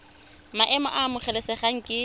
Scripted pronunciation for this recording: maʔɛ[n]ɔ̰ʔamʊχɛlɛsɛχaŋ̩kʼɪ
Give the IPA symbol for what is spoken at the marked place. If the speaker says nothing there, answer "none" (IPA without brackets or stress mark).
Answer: m